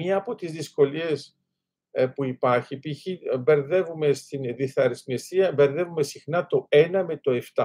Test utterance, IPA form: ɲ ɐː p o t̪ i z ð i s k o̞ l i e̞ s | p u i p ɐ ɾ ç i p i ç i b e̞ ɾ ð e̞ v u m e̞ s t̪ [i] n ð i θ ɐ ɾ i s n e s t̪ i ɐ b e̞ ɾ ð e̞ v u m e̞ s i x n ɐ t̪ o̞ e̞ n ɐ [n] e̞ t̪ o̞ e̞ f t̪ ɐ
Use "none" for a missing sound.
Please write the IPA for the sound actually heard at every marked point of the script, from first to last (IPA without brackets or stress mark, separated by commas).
i, m